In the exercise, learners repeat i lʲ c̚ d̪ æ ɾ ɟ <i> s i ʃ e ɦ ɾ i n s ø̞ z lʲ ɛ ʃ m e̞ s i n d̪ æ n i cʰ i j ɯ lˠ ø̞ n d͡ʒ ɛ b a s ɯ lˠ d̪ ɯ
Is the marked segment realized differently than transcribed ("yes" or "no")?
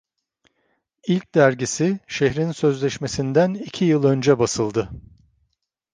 no